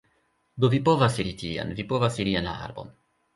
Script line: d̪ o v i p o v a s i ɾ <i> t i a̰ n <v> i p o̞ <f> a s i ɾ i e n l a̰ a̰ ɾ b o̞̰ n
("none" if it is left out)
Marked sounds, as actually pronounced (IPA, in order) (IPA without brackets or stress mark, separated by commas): i, v, v